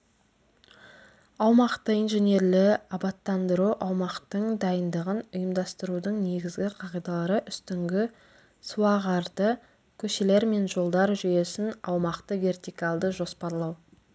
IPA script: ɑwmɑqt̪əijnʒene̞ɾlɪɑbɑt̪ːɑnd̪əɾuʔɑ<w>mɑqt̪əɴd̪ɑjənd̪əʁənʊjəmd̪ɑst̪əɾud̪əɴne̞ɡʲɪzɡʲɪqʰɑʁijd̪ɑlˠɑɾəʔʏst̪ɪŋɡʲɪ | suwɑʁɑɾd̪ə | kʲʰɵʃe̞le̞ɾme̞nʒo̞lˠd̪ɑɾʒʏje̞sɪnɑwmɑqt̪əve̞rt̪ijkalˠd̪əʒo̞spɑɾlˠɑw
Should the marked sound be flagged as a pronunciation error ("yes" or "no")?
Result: no